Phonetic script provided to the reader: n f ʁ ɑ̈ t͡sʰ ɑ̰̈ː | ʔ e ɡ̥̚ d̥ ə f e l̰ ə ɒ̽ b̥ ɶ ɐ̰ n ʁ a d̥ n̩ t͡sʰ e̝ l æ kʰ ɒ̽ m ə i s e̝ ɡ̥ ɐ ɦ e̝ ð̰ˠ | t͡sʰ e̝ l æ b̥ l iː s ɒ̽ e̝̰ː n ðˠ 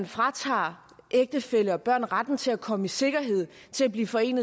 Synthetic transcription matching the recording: n f ʁ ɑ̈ t͡sʰ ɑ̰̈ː | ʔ e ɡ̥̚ d̥ ə f e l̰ ə ɒ̽ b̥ ɶ ɐ̰ n ʁ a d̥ n̩ t͡sʰ e̝ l æ kʰ ɒ̽ m ə i s e̝ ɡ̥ ɐ ɦ e̝ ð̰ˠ | t͡sʰ e̝ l æ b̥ l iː f ɒ̽ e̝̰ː n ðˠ